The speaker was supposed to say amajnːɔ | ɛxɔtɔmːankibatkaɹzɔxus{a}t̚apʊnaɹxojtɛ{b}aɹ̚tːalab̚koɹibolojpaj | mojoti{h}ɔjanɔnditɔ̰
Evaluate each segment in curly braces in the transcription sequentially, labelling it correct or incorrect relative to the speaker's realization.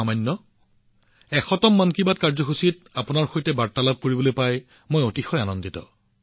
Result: incorrect, correct, incorrect

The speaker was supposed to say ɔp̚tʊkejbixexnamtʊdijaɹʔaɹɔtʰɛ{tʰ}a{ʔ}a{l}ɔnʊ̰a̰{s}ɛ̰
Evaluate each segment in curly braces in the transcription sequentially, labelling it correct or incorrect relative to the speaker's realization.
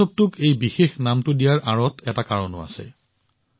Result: incorrect, incorrect, incorrect, correct

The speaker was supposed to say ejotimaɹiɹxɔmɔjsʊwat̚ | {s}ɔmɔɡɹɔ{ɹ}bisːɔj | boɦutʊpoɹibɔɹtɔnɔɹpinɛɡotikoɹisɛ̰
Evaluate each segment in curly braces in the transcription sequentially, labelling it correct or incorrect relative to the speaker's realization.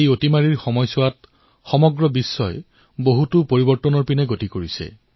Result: incorrect, incorrect

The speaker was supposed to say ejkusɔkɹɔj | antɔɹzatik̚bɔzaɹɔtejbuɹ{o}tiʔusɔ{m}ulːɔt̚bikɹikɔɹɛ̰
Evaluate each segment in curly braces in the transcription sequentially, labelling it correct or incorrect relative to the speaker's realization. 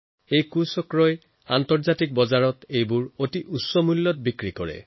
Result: correct, correct

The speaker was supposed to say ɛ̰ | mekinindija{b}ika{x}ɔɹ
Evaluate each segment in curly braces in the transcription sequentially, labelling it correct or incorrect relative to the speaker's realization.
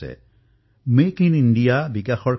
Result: correct, correct

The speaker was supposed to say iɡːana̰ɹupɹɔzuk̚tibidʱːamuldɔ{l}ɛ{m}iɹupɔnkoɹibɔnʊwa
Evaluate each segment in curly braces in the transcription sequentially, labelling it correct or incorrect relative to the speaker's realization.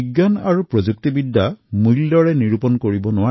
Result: incorrect, incorrect

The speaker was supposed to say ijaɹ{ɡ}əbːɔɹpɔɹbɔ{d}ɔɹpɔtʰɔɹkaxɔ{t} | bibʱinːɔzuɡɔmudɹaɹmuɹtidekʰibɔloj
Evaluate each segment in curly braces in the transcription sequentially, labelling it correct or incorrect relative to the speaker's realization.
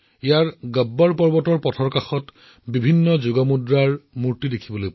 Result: correct, incorrect, correct

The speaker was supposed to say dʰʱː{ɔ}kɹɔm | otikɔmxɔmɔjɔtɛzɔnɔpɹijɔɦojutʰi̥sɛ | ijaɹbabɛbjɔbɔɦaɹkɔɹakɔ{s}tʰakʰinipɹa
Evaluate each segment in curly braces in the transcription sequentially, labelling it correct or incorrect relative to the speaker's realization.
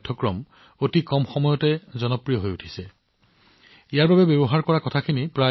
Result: correct, incorrect

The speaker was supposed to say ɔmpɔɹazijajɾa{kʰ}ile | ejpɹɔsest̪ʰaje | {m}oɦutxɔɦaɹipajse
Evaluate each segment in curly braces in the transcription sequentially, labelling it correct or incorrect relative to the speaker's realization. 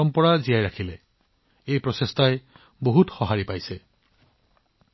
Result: correct, incorrect

